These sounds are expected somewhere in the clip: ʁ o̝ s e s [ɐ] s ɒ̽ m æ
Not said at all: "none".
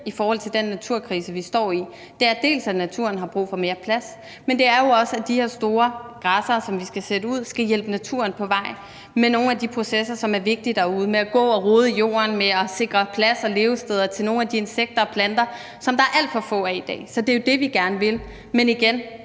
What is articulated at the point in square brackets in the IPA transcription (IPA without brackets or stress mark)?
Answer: ɐ